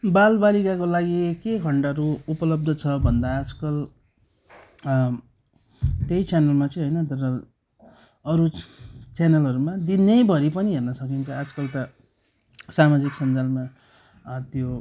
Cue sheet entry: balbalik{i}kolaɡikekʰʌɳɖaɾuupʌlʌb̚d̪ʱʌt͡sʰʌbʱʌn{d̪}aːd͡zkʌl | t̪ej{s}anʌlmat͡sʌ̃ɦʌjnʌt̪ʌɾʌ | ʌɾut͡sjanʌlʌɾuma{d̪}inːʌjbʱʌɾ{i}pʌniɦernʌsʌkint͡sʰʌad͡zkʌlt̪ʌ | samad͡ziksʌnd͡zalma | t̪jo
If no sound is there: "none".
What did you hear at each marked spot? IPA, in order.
a, d̪, t͡s, d̪, i

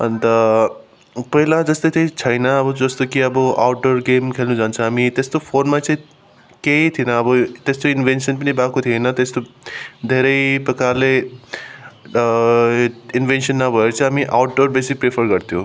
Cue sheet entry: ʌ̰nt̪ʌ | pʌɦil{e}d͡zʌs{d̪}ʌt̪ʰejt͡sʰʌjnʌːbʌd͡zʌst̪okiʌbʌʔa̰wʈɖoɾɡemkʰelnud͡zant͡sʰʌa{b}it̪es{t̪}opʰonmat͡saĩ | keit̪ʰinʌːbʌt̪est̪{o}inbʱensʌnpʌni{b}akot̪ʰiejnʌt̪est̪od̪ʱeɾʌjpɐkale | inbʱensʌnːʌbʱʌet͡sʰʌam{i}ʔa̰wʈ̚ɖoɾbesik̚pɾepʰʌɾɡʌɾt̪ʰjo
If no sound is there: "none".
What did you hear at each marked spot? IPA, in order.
a, t̪, m, t̪, o, b, i

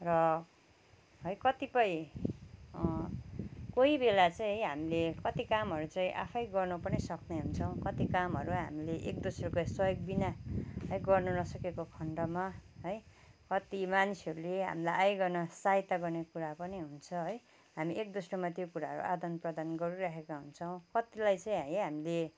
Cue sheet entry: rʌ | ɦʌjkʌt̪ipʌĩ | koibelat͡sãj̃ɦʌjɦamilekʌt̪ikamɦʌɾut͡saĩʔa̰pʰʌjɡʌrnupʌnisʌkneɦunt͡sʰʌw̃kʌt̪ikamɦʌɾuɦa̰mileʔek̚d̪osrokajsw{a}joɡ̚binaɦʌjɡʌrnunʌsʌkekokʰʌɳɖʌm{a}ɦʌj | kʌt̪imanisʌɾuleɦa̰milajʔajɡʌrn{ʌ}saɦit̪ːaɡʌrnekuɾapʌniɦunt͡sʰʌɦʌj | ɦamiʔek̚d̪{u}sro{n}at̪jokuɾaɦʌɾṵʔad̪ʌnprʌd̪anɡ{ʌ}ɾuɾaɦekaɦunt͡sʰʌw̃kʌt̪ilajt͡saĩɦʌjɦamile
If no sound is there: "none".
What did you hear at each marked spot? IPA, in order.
ʌ, a, ʌ, o, m, ʌ

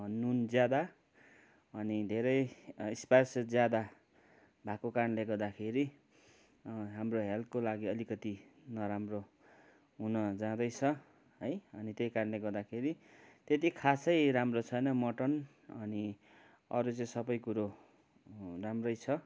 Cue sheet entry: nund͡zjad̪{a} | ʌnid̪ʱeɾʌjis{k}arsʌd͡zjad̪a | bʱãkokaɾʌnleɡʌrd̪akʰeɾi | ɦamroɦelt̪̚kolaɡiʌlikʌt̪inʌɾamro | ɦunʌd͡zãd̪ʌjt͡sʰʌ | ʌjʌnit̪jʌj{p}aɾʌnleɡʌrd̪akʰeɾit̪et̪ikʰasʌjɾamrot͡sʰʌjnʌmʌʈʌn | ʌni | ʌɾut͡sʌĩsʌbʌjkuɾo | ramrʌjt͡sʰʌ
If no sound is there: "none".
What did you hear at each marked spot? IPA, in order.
a, p, k

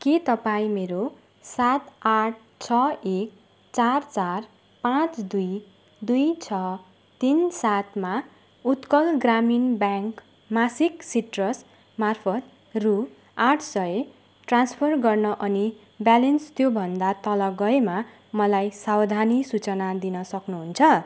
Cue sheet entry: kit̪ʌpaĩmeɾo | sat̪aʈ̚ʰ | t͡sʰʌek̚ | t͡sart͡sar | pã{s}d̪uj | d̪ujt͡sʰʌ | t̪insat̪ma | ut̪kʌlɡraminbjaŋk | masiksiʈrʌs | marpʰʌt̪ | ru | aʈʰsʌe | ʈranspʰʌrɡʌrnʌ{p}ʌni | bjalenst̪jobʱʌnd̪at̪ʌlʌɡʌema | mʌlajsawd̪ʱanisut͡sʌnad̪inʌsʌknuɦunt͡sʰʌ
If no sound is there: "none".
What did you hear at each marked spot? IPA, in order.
t͡s, ʔ

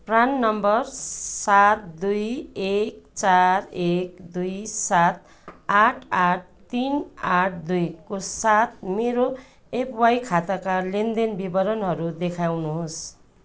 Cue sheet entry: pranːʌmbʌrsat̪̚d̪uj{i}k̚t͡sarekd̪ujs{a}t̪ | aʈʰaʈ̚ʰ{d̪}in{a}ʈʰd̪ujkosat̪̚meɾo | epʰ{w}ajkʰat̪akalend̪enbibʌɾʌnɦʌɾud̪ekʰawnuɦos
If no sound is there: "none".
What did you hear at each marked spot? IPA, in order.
e, a, t̪, a, w

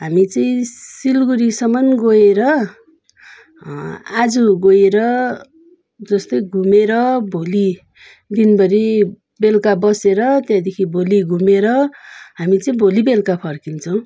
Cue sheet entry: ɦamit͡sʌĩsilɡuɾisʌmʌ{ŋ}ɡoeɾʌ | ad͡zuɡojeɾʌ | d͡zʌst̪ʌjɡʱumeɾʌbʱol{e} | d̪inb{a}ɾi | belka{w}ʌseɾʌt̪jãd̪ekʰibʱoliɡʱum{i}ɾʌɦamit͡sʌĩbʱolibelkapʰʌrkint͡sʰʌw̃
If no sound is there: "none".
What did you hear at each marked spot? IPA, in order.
n, i, ʌ, b, e

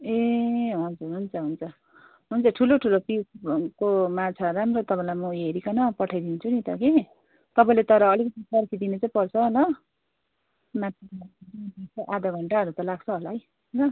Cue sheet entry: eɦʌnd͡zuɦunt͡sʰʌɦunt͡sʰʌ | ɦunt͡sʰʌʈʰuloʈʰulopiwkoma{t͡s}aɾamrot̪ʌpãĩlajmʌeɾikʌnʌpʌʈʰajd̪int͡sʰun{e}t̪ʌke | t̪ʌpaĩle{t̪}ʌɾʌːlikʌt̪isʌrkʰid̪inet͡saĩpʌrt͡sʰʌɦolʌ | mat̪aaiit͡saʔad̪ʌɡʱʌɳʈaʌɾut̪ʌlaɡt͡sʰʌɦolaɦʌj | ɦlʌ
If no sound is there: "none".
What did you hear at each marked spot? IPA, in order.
t͡sʰ, i, t̪

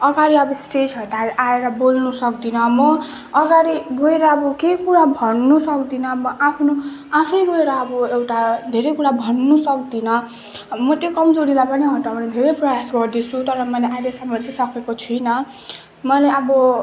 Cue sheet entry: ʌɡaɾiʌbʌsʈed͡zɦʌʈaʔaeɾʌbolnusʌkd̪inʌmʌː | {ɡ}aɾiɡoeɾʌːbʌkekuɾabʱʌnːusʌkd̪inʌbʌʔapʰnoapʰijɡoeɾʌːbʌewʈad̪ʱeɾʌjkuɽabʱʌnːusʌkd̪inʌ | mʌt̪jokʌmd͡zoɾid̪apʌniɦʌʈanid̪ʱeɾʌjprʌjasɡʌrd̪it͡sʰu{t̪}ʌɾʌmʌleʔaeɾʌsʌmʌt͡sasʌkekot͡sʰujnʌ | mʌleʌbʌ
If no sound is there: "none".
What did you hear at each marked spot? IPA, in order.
ɡ, t̪

